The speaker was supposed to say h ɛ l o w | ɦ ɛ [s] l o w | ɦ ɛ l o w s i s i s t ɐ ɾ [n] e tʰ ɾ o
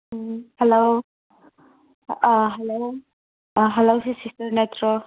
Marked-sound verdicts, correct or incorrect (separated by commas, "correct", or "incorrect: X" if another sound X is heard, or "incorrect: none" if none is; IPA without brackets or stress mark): incorrect: none, correct